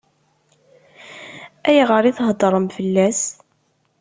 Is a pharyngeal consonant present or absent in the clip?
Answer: absent